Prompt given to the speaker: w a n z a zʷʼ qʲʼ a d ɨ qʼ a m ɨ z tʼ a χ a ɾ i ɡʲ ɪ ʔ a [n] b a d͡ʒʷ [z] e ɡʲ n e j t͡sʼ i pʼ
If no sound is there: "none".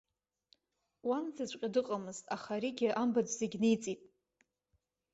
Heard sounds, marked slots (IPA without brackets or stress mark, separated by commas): m, z